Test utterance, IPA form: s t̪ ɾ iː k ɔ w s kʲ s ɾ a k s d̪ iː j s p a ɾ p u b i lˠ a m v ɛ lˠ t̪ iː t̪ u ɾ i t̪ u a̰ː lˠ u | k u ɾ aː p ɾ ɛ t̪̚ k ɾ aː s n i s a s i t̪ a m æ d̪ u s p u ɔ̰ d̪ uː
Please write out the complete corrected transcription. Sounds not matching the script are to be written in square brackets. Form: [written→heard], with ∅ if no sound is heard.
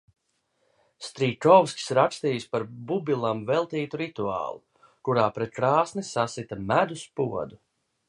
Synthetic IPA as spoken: s t̪ ɾ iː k ɔ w s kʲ s ɾ a k s [d̪→t̪] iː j s p a ɾ [p→b] u b i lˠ a m v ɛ lˠ t̪ iː t̪ u ɾ i t̪ u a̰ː lˠ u | k u ɾ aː p ɾ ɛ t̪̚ k ɾ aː s n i s a s i t̪ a m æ d̪ u s p u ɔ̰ d̪ [uː→u]